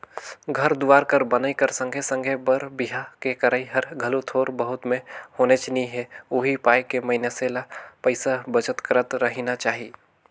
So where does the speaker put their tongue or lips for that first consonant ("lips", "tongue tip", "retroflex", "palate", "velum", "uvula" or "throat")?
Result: velum